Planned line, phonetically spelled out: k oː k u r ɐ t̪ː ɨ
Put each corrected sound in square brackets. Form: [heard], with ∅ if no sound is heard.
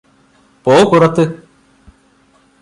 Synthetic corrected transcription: [p] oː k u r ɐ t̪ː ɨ